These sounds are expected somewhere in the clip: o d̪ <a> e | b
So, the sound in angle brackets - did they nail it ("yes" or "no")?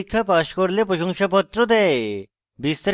no